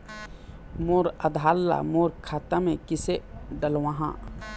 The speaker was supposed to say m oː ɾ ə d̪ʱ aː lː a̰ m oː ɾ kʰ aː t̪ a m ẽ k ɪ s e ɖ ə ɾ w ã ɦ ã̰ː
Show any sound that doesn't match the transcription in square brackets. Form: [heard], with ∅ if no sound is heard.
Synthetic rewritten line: m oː ɾ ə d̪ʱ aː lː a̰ m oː ɾ kʰ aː t̪ a m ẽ k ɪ s e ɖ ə [l] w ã ɦ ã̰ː

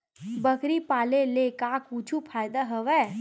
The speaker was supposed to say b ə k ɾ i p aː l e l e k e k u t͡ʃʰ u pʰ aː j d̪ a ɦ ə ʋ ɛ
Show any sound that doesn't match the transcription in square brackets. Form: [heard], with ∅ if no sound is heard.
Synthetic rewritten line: b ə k ɾ i p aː l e l e k [a] k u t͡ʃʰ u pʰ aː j d̪ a ɦ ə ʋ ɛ

